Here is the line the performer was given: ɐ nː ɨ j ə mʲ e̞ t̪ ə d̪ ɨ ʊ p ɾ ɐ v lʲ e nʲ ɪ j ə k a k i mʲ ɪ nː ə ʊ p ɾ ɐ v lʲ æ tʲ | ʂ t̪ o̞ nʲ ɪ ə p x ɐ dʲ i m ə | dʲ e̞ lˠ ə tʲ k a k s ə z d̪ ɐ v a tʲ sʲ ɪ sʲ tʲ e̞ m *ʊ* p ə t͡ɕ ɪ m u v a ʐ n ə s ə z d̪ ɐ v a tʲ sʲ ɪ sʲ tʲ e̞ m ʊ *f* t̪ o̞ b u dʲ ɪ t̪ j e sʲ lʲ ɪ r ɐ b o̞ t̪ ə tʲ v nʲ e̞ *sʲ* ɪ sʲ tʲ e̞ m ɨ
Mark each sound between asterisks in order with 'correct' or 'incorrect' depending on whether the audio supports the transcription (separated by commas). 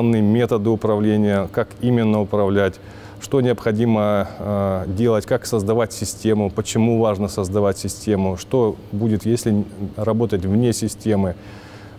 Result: correct, incorrect, correct